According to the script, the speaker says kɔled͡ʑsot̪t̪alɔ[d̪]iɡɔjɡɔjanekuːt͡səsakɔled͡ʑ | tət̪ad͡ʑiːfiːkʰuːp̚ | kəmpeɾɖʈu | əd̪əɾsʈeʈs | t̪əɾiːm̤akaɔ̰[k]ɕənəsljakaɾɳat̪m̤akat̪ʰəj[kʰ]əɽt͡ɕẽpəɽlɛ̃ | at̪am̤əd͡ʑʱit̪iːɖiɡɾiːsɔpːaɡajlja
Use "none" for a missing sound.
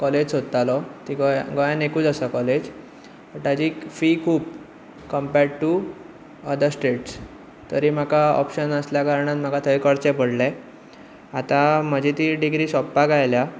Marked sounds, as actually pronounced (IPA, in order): t̪, p, k

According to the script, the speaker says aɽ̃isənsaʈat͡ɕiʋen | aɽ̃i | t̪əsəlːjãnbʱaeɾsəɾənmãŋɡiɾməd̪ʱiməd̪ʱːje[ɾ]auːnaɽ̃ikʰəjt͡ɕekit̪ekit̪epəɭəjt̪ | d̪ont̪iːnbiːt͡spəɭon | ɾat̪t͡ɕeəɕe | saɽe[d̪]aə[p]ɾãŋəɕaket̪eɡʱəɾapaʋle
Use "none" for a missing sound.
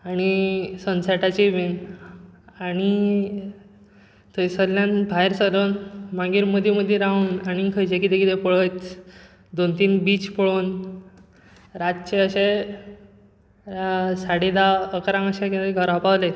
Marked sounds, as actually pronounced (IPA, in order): ɾ, d̪, k

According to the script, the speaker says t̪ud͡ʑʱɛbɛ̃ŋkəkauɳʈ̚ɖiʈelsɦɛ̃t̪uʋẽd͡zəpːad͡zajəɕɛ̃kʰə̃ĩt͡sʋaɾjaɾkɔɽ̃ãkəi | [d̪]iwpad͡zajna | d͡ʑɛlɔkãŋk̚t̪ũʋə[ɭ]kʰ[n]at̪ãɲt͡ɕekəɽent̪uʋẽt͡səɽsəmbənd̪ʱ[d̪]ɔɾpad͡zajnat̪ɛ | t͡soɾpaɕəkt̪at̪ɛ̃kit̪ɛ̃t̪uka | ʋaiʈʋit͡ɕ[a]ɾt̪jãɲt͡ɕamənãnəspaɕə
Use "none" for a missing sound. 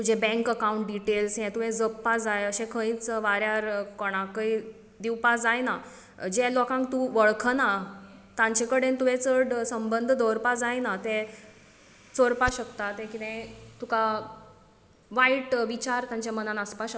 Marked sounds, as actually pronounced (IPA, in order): d̪, ɭ, n, d̪, a

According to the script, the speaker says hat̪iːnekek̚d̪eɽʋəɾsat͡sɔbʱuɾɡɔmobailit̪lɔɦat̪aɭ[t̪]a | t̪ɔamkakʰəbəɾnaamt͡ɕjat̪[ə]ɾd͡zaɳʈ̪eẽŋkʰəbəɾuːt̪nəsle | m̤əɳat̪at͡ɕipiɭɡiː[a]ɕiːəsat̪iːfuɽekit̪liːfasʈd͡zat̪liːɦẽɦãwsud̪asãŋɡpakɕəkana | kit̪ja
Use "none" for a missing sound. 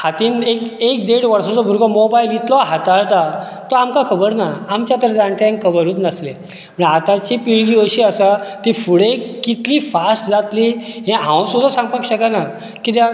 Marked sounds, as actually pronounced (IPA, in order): t̪, ə, ə

